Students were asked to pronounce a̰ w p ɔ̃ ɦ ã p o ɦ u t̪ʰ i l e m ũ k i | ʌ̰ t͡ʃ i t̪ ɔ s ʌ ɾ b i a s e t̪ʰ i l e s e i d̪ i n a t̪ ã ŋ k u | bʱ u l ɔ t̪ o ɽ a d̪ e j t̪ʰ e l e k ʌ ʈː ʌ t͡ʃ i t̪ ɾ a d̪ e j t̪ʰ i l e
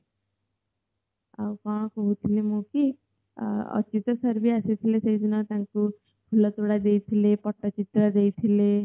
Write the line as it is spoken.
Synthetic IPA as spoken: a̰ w k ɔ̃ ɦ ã k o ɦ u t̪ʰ i l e m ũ k i | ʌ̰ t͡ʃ i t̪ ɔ s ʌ ɾ b i a s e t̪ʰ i l e s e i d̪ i n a t̪ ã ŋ k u | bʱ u l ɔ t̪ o ɽ a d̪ e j t̪ʰ i l e p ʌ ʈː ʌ t͡ʃ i t̪ ɾ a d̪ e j t̪ʰ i l e